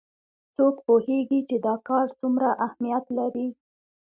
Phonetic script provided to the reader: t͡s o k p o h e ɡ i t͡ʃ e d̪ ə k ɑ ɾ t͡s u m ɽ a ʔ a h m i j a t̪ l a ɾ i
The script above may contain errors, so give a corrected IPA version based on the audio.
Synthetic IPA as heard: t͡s o k p o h e ɡ i t͡ʃ e d̪ ɑ k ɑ ɾ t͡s u m ɾ a ʔ a h m i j a t̪ l a ɾ i